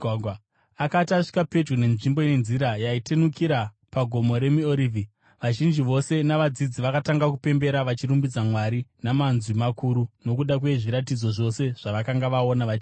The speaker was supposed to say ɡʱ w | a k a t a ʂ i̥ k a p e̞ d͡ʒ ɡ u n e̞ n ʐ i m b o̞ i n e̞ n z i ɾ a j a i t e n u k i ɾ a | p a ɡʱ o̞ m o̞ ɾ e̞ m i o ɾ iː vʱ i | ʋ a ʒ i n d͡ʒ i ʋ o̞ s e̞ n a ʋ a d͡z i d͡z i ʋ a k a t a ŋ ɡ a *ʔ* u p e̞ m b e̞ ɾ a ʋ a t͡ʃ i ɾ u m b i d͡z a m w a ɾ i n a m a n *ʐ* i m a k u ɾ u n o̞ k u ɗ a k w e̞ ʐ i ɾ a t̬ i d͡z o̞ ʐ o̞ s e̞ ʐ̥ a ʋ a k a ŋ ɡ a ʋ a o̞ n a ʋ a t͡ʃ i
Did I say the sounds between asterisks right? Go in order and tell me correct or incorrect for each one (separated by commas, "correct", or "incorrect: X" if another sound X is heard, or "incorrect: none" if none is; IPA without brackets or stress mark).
incorrect: k, incorrect: z